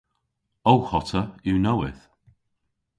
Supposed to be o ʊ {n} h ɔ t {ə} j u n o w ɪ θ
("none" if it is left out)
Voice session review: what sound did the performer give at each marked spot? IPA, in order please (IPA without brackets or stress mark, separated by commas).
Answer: none, ə